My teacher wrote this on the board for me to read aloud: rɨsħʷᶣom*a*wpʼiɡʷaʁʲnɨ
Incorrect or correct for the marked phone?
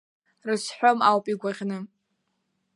correct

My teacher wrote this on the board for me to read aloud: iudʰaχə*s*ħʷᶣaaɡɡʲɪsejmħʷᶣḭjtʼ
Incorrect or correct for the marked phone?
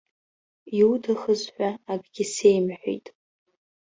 incorrect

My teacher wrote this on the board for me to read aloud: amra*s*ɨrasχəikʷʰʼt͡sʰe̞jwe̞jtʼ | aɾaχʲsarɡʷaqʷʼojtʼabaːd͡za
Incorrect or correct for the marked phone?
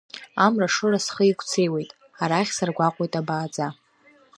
incorrect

